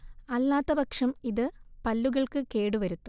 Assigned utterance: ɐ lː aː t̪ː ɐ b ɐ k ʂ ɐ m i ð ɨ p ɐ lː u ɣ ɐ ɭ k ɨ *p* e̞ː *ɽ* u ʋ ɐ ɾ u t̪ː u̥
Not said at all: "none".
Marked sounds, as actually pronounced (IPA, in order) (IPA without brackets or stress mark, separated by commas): k, ɽ